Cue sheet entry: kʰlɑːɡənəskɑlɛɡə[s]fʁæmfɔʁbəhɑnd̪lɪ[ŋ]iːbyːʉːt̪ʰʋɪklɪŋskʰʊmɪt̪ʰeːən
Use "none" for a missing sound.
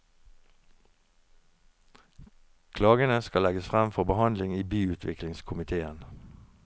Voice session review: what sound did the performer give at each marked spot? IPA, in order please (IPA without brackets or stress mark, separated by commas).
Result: s, ŋ